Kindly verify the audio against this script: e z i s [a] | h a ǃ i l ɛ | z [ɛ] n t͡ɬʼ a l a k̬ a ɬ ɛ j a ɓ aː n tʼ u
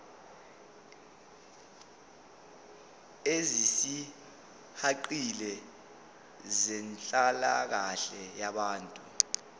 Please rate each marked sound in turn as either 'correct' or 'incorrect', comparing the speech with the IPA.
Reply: incorrect: i, correct

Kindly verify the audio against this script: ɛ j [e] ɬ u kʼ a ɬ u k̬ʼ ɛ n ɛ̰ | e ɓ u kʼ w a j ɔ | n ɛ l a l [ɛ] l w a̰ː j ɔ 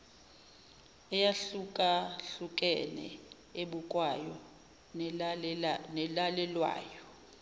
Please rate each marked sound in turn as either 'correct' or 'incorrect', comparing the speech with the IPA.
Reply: incorrect: a, correct

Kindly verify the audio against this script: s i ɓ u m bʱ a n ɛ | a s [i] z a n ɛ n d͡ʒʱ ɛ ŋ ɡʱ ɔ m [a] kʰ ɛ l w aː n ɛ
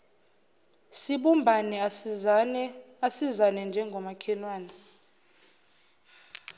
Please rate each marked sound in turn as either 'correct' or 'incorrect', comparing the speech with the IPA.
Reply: correct, correct

